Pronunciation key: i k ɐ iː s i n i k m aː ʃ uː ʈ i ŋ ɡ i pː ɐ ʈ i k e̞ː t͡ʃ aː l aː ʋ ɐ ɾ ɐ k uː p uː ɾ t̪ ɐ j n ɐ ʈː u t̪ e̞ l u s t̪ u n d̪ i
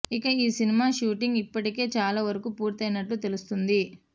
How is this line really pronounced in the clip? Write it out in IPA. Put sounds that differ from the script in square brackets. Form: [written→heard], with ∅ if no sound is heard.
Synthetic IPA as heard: i k ɐ iː s i n i [k→∅] m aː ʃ uː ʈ i ŋ ɡ i pː ɐ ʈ i k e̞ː t͡ʃ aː l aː ʋ ɐ ɾ ɐ k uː p uː ɾ t̪ ɐ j n ɐ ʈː u t̪ e̞ l u s t̪ u n d̪ i